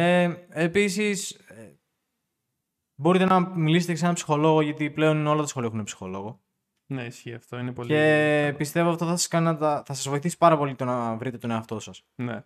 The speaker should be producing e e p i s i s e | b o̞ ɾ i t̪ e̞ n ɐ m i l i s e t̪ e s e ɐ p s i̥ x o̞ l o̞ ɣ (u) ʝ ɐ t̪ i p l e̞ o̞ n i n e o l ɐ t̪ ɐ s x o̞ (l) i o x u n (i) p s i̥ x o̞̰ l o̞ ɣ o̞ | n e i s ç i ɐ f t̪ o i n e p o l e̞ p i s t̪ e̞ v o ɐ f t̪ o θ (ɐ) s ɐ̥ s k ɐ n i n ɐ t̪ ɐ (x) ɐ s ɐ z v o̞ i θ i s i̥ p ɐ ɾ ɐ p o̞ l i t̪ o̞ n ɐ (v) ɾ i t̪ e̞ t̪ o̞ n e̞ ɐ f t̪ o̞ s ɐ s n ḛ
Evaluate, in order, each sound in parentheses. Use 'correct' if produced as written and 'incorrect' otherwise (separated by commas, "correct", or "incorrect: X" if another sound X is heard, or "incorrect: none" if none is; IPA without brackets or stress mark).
incorrect: o, correct, incorrect: e, correct, incorrect: θ, correct